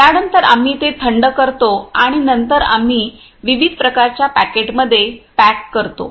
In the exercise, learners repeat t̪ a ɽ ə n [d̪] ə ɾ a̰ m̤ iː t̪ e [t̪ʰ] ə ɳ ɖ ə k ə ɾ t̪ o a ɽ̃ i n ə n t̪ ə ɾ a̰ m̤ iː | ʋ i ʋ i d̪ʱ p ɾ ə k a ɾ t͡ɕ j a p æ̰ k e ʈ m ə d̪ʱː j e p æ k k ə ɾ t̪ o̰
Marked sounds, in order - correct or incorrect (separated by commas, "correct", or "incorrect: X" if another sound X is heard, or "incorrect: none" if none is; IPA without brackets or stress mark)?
incorrect: t̪, correct